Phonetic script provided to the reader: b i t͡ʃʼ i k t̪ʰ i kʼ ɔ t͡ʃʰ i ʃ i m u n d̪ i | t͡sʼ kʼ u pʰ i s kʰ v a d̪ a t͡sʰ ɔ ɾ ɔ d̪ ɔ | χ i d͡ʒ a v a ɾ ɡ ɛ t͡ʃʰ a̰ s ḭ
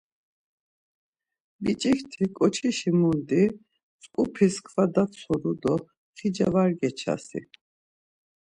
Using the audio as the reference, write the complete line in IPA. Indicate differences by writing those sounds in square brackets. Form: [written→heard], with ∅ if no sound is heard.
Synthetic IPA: b i t͡ʃʼ i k t̪ʰ i kʼ ɔ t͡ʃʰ i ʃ i m u n d̪ i | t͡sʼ kʼ u pʰ i s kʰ v a d̪ a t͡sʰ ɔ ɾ [ɔ→u] d̪ ɔ | χ i d͡ʒ a v a ɾ ɡ ɛ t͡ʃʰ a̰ s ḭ